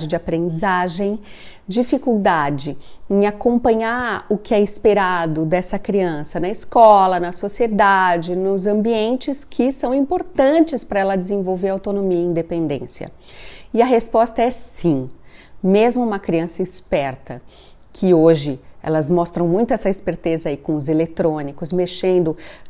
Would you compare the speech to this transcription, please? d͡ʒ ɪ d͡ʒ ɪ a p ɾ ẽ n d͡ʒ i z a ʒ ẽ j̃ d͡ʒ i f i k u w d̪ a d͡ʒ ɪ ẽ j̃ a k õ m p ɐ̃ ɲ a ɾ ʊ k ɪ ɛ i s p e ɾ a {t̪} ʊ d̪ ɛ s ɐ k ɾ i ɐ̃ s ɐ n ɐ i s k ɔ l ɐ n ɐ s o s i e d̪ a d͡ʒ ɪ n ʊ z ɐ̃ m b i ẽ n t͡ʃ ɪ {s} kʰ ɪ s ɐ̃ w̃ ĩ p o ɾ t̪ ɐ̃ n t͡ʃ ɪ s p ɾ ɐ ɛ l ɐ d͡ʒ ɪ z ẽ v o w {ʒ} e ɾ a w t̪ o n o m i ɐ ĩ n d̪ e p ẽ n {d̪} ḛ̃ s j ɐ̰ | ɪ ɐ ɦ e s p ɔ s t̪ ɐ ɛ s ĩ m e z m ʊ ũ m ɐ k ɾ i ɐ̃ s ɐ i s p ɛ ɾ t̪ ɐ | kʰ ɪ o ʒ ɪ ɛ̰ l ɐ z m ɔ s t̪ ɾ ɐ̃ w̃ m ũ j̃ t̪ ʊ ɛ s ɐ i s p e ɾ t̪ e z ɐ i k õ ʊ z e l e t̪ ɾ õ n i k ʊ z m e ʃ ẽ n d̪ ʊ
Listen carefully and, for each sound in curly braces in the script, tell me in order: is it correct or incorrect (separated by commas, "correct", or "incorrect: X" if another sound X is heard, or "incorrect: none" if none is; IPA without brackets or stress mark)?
incorrect: d̪, correct, incorrect: v, correct